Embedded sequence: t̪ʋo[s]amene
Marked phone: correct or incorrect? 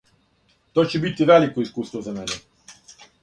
incorrect